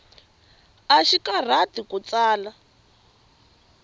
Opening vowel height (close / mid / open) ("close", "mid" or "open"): open